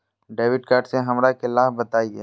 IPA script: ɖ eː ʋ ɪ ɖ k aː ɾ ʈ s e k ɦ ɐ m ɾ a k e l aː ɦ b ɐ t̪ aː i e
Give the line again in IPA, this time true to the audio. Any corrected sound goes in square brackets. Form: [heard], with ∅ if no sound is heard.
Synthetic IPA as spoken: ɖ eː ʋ ɪ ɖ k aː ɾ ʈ s e [∅] ɦ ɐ m ɾ a k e l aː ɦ b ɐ t̪ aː i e